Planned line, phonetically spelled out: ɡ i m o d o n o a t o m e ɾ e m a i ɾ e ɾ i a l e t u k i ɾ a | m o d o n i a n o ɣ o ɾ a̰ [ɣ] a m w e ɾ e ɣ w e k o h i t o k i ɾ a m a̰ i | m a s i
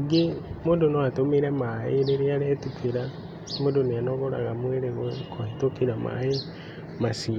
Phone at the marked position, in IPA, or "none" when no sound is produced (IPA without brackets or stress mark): ɣ